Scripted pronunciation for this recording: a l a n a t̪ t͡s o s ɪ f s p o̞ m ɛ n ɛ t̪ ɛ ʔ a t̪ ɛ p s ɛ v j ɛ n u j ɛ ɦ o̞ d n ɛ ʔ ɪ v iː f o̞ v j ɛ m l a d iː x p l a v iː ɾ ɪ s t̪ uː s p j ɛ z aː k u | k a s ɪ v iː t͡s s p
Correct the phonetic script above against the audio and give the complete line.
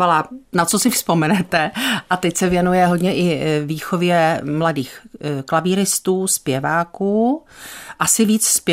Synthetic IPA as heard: a l a n a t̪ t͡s o s ɪ f s p o̞ m ɛ n ɛ t̪ ɛ ʔ a t̪ ɛ c s ɛ v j ɛ n u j ɛ ɦ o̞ d ɲ ɛ ʔ ɪ v iː x o̞ v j ɛ m l a d iː x k l a v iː ɾ ɪ s t̪ uː s p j ɛ v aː k uː | ʔ a s ɪ v iː t͡s s p